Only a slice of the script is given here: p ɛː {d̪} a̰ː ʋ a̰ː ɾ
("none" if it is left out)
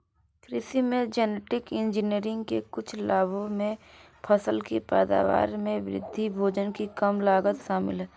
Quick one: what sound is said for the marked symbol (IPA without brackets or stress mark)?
d̪